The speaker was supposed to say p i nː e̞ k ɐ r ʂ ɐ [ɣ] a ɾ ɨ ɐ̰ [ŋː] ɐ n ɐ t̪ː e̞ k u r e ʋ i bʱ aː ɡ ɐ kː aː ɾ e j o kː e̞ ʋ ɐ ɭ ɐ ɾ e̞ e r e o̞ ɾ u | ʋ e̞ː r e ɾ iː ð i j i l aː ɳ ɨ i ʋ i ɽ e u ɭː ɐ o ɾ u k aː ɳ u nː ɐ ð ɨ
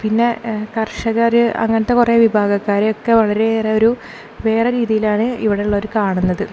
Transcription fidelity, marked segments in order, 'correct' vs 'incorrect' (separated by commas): correct, correct